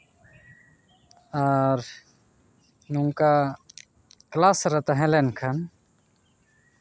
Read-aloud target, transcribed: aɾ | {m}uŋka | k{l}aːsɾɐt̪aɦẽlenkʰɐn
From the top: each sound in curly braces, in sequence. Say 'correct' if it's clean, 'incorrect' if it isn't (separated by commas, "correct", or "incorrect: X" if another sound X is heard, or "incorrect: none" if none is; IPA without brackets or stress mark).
incorrect: n, correct